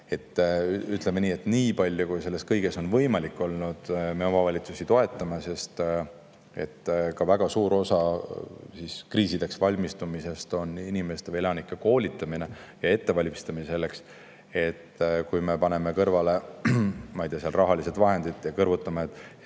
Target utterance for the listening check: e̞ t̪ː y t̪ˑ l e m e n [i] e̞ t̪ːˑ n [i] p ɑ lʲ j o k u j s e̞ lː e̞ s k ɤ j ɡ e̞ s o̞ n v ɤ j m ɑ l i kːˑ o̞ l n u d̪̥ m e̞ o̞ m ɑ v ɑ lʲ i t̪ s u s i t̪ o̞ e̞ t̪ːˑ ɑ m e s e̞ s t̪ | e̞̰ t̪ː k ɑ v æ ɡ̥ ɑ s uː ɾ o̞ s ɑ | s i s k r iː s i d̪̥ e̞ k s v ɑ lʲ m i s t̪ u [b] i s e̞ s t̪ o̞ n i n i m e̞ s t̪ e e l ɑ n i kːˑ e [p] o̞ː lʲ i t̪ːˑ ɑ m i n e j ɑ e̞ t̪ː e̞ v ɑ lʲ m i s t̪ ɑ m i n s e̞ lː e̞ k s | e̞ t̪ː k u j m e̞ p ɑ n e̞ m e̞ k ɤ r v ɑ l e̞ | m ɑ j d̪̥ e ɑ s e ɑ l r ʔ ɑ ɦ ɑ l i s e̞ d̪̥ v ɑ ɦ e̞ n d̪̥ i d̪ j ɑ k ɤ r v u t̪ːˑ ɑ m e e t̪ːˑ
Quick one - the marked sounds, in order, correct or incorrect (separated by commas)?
incorrect, incorrect, incorrect, incorrect